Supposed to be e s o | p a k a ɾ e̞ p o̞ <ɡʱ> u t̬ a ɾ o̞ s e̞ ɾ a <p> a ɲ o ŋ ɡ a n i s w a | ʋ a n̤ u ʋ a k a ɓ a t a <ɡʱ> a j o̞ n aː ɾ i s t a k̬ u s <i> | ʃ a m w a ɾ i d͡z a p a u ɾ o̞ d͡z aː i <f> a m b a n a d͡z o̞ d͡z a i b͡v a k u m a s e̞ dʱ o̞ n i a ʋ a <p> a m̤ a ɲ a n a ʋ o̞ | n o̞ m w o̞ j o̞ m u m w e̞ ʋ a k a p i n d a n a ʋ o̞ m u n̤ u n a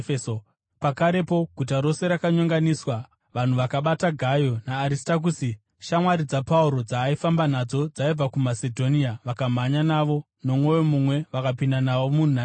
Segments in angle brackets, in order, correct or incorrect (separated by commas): correct, incorrect, correct, correct, correct, incorrect